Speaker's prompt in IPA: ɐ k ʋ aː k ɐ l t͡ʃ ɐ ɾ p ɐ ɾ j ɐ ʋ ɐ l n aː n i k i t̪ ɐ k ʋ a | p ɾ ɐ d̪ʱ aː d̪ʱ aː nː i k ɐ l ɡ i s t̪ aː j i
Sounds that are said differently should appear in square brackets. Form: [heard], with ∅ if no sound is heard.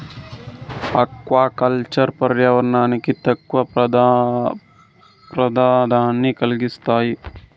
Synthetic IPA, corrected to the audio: ɐ k ʋ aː k ɐ l t͡ʃ ɐ ɾ p ɐ ɾ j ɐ ʋ ɐ [ɾ] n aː n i k i t̪ ɐ k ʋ [ɐ] | p ɾ ɐ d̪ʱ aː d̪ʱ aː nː i k ɐ l ɡ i s t̪ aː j i